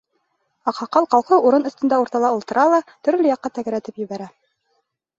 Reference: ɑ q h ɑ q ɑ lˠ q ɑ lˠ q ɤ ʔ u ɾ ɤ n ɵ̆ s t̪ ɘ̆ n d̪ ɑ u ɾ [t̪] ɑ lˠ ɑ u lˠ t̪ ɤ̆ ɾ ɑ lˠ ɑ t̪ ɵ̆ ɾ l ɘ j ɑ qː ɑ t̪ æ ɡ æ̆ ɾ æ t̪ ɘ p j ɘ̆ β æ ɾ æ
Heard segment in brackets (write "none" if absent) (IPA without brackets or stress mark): t̪